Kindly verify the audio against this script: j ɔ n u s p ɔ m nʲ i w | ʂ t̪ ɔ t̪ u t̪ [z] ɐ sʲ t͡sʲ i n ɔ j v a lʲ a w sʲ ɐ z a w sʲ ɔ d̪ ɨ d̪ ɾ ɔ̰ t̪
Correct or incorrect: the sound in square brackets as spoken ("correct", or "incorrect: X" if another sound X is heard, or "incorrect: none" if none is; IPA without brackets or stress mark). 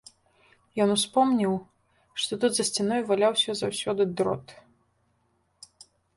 correct